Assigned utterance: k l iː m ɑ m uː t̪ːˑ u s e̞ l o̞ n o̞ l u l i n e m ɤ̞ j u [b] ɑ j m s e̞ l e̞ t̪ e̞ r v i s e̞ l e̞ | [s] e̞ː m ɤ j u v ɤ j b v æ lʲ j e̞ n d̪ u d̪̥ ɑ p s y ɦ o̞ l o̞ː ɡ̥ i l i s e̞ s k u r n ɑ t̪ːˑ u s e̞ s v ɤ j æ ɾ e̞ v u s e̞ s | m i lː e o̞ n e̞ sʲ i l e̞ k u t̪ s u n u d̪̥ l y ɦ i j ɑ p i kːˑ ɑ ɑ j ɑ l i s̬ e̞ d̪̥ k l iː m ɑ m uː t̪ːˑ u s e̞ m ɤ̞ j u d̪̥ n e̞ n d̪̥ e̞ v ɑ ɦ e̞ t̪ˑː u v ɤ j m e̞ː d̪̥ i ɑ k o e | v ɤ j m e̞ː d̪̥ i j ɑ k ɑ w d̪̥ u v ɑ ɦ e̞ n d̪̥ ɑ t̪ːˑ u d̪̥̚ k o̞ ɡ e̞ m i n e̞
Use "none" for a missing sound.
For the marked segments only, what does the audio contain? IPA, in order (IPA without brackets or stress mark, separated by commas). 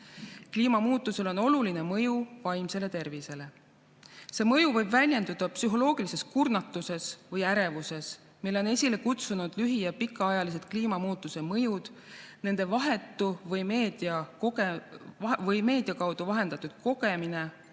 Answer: v, s